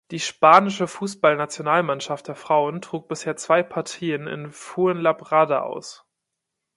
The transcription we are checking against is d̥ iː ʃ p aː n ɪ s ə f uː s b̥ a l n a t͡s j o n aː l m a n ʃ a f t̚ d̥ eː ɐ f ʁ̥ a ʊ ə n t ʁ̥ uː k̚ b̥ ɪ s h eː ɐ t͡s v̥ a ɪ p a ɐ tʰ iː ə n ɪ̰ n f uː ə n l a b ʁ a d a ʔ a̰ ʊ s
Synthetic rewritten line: d̥ iː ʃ p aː n ɪ ʃ ə f uː s b̥ a l n a t͡s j o n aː l m a n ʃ a f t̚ d̥ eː ɐ f ʁ̥ a ʊ ə n t ʁ̥ uː k̚ b̥ ɪ s h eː ɐ t͡s v̥ a ɪ pʰ a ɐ tʰ iː ə n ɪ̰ n f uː ə n l a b ʁ a d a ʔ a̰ ʊ s

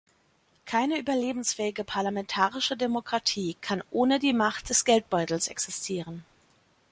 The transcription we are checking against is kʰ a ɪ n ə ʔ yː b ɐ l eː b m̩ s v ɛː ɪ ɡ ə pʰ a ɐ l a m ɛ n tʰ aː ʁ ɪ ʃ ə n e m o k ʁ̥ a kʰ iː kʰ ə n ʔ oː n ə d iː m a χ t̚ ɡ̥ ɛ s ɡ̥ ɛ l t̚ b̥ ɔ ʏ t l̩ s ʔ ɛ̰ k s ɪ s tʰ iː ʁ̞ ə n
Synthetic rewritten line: kʰ a ɪ n ə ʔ yː b ɐ l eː b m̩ s f ɛː ɪ ɡ ə pʰ a ɐ l a m ɛ n tʰ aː ʁ ɪ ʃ ə d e m o k ʁ̥ a tʰ iː kʰ a n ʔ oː n ə d iː m a χ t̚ d̥ ɛ s ɡ̥ ɛ l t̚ b̥ ɔ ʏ t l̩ s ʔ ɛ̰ k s ɪ s tʰ iː ʁ̞ ə n

